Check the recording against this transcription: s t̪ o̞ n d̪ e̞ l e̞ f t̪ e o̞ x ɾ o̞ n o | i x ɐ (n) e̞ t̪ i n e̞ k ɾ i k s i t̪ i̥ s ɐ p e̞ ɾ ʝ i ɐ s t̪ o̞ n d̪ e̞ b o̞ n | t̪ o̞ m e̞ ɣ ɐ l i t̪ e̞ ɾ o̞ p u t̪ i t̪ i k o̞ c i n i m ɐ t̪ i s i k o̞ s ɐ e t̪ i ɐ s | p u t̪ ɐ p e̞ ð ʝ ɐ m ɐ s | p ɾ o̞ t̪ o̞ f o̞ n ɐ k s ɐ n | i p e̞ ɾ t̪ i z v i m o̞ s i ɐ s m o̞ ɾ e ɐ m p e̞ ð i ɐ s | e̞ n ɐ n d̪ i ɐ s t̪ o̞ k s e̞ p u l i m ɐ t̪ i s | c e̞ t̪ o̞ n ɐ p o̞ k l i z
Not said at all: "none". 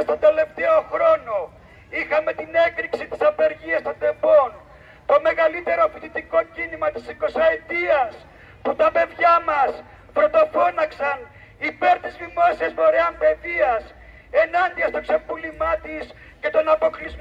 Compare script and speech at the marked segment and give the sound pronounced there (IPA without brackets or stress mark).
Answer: m